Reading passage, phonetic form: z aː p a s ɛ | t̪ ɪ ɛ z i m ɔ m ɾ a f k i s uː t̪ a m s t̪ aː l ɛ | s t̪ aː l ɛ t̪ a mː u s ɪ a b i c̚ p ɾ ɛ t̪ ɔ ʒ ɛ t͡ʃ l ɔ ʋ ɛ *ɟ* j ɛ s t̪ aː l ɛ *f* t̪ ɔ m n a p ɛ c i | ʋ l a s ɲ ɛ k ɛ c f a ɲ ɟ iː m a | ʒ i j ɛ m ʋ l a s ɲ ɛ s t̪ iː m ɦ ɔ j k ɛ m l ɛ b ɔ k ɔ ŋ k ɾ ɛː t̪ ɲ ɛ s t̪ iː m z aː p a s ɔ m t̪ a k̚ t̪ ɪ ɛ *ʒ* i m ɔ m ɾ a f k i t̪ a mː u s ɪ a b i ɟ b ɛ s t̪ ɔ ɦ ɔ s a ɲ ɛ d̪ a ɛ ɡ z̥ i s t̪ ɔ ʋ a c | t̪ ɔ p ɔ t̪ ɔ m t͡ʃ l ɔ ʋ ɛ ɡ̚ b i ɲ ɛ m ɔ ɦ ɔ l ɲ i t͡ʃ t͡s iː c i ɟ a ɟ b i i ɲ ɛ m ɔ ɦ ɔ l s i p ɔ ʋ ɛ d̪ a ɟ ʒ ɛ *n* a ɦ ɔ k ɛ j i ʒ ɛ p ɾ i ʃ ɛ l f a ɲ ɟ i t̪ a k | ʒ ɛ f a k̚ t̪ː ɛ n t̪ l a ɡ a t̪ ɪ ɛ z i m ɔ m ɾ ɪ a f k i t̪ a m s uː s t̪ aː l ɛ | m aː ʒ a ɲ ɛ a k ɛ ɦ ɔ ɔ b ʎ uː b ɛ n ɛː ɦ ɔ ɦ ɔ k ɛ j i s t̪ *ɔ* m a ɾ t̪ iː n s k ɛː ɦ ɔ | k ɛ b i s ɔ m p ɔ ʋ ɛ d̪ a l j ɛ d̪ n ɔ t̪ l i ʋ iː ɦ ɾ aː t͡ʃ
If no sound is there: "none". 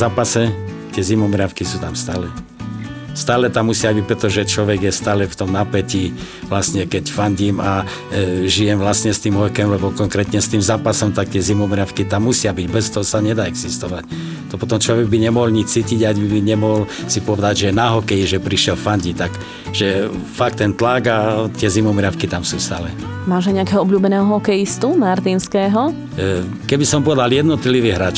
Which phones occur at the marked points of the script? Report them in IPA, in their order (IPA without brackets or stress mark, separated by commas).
ɡ, f, z, n, u